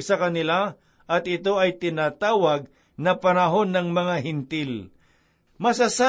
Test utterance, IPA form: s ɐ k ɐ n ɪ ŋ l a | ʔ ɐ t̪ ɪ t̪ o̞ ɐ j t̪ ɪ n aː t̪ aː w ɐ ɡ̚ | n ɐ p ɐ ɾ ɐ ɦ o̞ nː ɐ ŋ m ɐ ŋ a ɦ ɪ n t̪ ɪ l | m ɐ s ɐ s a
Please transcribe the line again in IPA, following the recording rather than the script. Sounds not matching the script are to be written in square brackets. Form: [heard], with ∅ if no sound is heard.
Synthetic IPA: s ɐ k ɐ n ɪ [∅] l a | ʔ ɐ t̪ ɪ t̪ o̞ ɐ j t̪ ɪ n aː t̪ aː w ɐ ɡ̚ | n ɐ p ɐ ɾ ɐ ɦ o̞ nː ɐ ŋ m ɐ ŋ a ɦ ɪ n t̪ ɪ l | m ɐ s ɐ s a